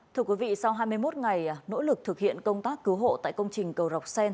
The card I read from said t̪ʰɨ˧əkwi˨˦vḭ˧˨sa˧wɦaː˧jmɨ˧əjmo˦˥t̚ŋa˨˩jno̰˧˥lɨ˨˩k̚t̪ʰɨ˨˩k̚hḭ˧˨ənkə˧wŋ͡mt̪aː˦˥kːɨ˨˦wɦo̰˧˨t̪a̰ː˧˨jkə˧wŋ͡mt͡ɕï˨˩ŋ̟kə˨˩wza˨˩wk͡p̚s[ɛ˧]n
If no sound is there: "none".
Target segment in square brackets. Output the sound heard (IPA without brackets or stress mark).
ɛ˧